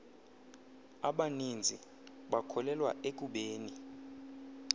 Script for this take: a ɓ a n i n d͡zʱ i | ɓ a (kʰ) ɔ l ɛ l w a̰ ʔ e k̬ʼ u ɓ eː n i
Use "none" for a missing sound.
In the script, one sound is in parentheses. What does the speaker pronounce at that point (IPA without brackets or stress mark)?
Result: kʰ